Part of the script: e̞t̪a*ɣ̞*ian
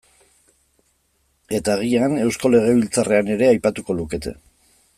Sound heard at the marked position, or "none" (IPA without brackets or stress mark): ɣ̞